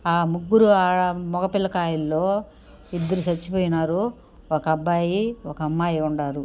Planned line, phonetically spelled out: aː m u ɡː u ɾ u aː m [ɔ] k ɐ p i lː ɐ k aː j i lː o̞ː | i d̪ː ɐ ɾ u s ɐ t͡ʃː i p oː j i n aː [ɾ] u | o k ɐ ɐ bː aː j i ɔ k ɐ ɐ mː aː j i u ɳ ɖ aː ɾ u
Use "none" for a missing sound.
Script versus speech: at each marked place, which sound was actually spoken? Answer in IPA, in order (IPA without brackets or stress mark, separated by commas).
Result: ɔ, ɾ